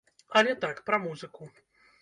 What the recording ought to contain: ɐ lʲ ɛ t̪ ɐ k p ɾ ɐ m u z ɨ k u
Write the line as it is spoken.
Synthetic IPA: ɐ lʲ ɛ t̪ a k p ɾ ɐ m u z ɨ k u